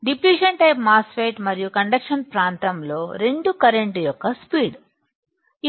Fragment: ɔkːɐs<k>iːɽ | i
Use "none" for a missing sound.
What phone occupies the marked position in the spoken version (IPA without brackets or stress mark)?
p